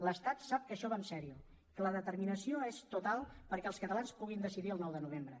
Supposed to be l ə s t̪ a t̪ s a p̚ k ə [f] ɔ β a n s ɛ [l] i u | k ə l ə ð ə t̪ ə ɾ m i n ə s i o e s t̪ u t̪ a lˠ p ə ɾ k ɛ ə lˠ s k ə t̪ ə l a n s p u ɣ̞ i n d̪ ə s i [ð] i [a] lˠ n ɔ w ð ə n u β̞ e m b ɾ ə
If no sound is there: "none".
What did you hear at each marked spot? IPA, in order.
ʃ, ɾ, ð, ə

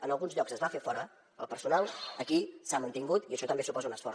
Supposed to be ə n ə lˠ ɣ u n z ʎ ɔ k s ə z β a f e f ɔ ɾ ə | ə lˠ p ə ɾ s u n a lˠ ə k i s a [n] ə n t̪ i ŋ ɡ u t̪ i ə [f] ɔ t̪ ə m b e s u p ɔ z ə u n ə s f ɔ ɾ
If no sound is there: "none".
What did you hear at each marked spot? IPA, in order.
m, ʃ

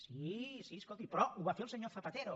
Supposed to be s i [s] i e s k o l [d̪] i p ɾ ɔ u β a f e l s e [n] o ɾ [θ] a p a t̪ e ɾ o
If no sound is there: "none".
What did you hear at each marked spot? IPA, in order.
s, t̪, ɲ, θ

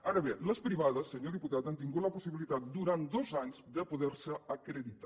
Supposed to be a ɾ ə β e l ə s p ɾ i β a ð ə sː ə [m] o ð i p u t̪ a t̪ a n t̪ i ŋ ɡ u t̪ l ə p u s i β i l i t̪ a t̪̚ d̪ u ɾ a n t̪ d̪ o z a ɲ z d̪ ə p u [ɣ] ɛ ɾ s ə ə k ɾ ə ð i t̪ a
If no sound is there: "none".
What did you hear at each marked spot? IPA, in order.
ɲ, ð

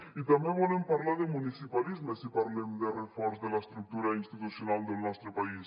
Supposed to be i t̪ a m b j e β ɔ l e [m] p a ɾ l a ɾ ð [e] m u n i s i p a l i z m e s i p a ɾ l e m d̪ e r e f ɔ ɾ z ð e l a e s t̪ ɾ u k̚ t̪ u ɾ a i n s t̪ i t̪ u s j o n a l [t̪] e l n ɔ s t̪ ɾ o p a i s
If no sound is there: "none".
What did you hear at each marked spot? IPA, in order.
m, e, d̪

